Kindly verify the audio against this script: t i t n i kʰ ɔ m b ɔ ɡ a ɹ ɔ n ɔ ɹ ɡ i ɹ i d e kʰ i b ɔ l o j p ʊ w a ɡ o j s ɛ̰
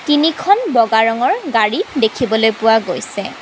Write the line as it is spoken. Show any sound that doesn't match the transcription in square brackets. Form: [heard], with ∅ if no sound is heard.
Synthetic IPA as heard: t i [∅] n i kʰ ɔ [n] b ɔ ɡ a ɹ ɔ [ŋ] ɔ ɹ ɡ [a] ɹ i d e kʰ i b ɔ l o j p ʊ w a ɡ o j s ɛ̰